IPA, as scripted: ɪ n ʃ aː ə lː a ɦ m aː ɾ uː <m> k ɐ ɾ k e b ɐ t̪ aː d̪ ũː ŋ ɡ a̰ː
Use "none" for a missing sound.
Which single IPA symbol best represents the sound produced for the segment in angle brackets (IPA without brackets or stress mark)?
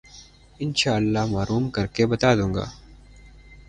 m